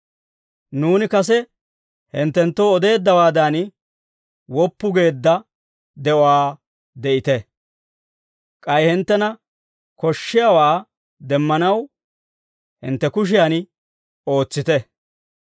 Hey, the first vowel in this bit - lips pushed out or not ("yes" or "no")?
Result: yes